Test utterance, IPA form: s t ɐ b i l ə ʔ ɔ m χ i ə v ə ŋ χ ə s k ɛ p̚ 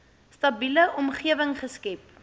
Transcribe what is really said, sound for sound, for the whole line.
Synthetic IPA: s t ɐ b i l ə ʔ ɔ m χ i ə v ə ŋ χ ə s k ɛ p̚